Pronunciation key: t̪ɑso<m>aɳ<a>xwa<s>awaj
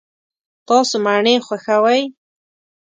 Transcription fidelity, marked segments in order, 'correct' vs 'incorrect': correct, incorrect: e, incorrect: x

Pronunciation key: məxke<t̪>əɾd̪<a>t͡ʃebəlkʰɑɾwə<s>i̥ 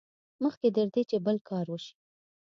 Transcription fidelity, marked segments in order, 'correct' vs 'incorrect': incorrect: d̪, incorrect: e, incorrect: ʃ

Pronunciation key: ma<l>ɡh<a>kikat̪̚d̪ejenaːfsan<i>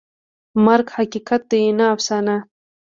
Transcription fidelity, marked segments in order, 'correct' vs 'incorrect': incorrect: ɾ, correct, incorrect: a

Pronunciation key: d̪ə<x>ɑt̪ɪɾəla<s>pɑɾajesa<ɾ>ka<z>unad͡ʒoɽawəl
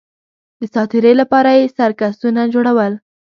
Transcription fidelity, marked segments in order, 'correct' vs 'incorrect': incorrect: s, incorrect: none, correct, incorrect: s

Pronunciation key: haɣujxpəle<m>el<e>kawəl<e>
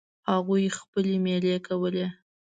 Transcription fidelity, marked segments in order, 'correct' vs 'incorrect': correct, correct, correct

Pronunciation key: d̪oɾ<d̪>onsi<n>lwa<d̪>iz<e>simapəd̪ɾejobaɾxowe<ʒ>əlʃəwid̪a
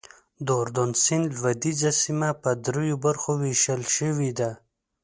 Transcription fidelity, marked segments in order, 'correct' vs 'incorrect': correct, correct, correct, incorrect: a, incorrect: ʃ

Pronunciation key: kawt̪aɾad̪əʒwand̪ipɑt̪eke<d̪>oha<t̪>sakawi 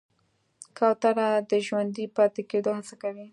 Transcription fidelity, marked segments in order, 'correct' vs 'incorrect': correct, incorrect: none

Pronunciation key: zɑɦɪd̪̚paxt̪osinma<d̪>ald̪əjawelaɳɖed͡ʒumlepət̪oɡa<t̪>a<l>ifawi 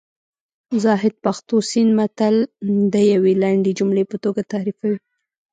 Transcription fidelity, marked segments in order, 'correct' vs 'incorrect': incorrect: t̪, correct, incorrect: ɾ

